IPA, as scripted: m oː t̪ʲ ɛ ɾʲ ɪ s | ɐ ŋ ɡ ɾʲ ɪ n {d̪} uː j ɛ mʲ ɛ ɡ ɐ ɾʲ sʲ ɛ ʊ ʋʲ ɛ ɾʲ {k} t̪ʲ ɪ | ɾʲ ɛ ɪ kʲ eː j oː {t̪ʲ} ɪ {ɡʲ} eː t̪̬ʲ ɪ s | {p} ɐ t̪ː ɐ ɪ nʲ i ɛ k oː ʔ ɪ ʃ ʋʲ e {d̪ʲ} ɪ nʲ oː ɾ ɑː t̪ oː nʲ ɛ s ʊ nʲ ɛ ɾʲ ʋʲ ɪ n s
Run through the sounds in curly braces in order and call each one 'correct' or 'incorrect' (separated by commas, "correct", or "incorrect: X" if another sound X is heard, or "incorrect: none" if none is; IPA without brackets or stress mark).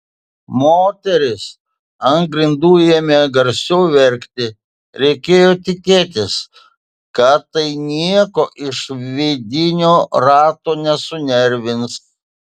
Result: correct, correct, correct, incorrect: kʲ, incorrect: k, correct